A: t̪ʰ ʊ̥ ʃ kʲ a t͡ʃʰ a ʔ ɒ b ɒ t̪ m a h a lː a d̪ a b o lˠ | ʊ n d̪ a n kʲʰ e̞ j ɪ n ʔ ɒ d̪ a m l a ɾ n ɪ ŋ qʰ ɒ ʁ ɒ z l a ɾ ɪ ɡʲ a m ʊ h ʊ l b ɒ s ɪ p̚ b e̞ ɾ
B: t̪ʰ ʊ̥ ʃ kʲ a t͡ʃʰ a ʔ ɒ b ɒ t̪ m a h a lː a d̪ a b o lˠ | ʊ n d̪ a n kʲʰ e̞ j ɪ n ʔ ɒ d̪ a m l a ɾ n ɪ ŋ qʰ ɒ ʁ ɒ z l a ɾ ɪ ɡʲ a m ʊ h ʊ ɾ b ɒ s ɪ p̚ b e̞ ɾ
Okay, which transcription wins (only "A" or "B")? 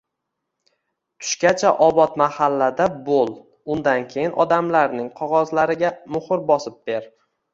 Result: B